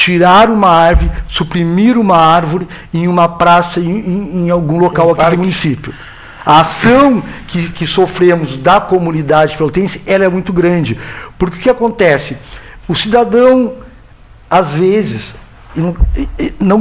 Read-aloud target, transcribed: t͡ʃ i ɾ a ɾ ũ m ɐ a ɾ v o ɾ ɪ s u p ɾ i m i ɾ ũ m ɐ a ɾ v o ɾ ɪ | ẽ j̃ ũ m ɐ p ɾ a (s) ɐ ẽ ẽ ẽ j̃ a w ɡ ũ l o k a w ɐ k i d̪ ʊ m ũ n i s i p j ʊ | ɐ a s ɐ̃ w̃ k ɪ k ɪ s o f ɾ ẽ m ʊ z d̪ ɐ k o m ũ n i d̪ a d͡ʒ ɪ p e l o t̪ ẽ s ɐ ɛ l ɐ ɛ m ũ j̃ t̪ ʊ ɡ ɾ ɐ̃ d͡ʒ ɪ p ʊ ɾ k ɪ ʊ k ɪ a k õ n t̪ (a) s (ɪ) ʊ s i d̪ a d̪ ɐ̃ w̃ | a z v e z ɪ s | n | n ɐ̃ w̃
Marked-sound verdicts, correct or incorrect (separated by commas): correct, incorrect, correct